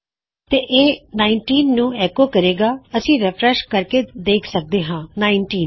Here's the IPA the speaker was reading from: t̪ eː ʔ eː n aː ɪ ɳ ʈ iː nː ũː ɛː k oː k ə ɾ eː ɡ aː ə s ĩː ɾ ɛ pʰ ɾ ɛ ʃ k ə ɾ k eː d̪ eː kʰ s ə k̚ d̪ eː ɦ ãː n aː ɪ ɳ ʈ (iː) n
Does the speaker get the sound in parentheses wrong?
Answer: no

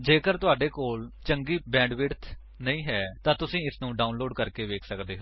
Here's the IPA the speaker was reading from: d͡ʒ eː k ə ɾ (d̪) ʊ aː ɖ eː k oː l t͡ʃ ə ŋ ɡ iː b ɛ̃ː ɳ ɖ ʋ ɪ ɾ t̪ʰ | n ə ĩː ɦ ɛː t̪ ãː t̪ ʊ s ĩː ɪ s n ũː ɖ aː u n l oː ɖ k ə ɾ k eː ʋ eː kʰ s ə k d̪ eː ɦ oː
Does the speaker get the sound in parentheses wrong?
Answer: yes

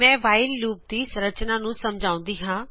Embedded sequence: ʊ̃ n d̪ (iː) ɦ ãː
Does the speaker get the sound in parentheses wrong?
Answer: no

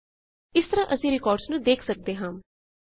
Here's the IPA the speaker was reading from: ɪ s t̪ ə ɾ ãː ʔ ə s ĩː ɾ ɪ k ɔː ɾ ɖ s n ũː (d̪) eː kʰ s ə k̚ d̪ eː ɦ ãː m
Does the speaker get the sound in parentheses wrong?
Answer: no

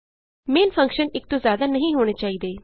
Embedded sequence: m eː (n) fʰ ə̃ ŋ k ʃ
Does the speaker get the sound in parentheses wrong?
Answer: no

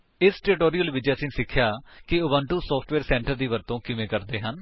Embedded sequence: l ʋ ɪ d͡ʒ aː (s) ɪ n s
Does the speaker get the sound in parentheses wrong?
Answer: no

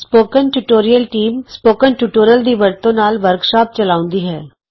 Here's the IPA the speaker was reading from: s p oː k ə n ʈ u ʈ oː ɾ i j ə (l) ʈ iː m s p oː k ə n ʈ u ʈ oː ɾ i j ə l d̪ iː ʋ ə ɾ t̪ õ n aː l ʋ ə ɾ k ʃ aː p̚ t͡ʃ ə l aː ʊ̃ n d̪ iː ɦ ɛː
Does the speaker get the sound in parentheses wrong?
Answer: no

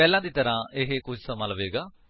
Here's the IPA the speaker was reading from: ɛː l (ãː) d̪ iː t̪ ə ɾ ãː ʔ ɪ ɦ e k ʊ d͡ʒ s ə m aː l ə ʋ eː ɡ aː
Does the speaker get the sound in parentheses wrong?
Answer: no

